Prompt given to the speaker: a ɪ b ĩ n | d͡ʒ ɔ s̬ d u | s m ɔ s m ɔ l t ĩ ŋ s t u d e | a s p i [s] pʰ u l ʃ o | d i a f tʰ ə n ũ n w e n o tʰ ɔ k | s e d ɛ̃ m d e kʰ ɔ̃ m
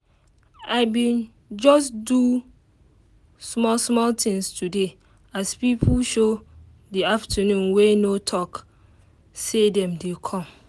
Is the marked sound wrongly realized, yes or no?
yes